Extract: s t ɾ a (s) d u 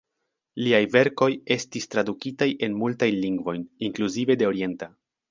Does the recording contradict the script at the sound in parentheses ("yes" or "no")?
yes